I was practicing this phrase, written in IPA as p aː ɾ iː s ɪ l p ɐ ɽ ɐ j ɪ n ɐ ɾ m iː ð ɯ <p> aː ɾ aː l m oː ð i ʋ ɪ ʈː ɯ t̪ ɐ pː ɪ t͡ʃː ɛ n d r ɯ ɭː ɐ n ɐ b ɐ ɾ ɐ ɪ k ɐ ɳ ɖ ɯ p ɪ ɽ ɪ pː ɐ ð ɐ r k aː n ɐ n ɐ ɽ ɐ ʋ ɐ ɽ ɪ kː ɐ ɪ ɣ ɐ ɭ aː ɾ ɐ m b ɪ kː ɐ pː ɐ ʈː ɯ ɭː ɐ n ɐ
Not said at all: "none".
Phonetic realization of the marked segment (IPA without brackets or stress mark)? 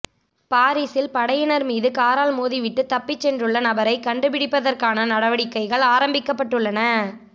k